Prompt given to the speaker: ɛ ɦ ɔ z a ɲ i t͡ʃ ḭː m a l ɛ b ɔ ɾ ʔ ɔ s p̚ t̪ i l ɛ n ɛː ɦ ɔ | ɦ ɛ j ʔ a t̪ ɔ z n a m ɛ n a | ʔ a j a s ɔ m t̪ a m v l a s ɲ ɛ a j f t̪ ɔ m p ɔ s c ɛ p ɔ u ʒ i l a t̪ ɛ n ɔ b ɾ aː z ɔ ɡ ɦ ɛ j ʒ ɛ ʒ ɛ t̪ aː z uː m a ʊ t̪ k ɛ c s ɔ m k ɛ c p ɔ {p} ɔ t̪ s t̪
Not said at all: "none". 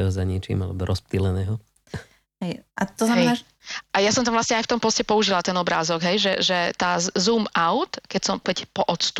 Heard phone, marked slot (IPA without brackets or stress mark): ʔ